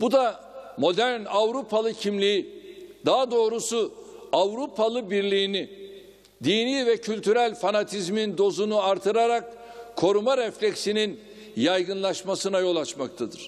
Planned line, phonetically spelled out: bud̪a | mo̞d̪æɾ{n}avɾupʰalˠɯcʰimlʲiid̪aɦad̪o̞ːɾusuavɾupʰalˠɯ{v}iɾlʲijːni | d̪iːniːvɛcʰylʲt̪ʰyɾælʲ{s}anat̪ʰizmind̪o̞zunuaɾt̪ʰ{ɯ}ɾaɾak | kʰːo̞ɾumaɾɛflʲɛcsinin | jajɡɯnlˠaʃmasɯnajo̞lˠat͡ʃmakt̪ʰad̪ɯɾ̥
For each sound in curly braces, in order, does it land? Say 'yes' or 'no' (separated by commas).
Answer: yes, no, no, yes